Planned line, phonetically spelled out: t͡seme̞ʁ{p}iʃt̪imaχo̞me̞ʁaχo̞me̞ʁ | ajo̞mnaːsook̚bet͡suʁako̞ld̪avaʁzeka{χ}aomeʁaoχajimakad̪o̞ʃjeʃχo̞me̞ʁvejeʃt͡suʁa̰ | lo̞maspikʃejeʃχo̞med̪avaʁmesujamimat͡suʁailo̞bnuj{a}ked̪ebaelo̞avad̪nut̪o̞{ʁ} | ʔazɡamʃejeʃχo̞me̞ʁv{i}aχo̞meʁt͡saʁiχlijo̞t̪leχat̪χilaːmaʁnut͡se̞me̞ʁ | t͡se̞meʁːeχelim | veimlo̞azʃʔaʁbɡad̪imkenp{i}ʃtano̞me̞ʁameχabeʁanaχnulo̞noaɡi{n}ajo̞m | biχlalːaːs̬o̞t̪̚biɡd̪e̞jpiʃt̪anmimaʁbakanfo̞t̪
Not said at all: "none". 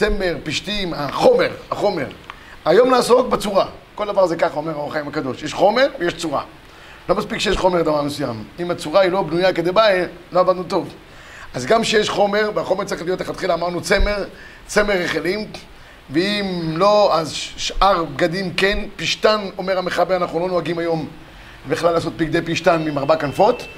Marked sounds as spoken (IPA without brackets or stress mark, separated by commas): p, χ, a, v, e, i, m